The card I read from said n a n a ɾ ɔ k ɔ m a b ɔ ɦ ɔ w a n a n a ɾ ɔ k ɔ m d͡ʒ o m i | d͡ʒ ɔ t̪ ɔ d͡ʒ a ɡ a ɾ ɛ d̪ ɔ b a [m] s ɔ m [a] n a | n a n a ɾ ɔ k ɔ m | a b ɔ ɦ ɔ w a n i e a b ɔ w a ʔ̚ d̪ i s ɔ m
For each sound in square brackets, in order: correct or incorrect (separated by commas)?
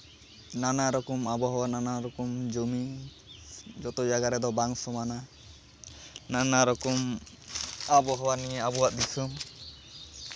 incorrect, correct